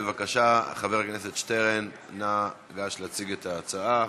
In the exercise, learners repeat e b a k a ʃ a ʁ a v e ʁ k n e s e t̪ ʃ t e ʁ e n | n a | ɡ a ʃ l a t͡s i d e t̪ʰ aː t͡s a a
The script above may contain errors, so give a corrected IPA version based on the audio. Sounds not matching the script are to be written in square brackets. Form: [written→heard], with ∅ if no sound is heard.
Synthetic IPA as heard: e [b→v] a k a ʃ a [ʁ→χ] a v e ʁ k n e s e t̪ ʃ t e ʁ e n | n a | ɡ a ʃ l a t͡s i [d→ɡ] e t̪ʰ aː t͡s a a